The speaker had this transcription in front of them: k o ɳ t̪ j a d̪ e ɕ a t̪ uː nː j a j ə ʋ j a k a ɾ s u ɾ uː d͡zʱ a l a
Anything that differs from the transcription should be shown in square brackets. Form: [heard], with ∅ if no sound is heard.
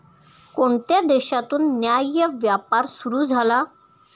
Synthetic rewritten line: k o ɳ t̪ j a d̪ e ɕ a t̪ uː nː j a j ə ʋ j a [p] a ɾ s u ɾ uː d͡zʱ a l a